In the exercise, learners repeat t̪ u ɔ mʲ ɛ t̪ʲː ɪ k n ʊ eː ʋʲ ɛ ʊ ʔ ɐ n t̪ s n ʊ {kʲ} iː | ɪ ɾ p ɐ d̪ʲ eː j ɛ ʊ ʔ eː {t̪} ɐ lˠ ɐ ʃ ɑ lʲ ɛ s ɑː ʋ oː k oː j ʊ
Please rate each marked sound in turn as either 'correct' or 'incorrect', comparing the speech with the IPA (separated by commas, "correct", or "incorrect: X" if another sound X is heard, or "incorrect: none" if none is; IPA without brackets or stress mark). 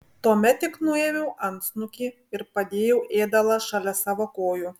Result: correct, incorrect: d̪